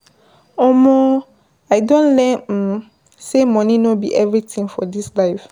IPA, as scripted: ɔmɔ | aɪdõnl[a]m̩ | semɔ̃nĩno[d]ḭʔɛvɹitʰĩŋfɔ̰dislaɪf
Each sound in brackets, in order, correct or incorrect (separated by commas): incorrect, incorrect